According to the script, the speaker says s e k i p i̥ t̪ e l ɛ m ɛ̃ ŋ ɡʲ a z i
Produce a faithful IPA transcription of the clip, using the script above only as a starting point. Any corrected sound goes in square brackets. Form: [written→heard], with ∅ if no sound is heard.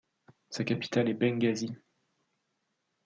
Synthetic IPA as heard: s [e→a] k [i→a] p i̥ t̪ [e→a] l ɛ [m→b] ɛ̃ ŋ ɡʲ a z i